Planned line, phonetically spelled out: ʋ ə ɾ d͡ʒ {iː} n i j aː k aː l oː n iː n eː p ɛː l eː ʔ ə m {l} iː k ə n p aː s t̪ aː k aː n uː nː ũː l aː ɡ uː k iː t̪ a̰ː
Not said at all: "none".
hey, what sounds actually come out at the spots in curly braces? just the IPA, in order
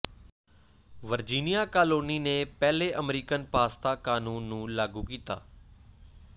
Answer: iː, ɾ

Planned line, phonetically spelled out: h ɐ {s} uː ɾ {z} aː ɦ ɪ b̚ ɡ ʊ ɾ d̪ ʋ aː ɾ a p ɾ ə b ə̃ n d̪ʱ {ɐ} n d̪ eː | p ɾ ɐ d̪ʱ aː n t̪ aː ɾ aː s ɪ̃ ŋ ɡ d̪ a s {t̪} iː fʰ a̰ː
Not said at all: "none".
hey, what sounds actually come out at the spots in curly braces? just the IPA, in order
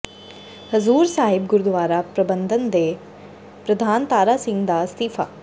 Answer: z, s, ə, t̪

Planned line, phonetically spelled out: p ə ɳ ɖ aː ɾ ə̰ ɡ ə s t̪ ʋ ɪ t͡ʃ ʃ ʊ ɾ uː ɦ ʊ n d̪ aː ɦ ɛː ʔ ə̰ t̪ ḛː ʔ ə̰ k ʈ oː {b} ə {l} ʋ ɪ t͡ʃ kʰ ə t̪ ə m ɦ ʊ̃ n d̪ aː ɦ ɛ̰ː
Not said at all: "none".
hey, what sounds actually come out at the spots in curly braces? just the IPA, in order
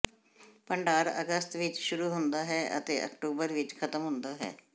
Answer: b, ɾ

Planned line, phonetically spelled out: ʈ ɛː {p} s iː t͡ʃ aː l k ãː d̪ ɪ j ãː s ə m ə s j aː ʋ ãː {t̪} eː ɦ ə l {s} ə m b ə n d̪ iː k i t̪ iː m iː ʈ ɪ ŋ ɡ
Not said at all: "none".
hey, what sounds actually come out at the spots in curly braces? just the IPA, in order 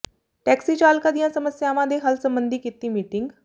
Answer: k, d̪, s

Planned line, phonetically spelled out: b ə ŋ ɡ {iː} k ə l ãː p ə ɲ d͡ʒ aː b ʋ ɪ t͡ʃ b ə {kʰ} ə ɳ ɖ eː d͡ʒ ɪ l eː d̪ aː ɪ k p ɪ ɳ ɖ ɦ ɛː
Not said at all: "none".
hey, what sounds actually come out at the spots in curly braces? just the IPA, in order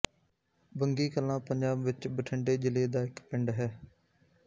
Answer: iː, ʈʰ

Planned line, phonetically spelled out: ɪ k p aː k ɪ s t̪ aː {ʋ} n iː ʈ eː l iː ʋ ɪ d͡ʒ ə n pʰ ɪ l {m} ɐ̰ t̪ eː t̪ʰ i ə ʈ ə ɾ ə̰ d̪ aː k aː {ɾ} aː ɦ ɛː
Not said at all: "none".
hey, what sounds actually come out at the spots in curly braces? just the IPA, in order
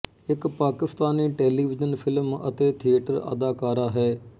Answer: none, m, ɾ

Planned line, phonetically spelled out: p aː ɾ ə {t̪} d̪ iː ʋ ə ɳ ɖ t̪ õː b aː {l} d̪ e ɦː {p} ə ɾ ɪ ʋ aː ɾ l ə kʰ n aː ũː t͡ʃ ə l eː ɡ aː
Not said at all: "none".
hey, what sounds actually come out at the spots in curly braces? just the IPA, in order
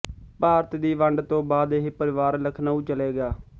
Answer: t̪, none, p

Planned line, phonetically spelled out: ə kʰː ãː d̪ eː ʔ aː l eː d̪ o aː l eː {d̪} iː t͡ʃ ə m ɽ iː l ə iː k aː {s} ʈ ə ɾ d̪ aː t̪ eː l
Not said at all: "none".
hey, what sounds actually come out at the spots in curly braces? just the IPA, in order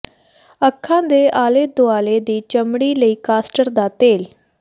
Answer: d̪, s

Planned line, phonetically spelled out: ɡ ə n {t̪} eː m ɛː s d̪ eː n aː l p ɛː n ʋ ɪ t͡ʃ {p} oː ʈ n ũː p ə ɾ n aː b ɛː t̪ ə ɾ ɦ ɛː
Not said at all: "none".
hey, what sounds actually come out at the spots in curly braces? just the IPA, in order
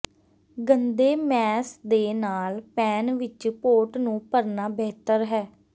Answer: d̪, p

